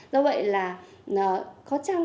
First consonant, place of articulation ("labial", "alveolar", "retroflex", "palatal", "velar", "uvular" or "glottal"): alveolar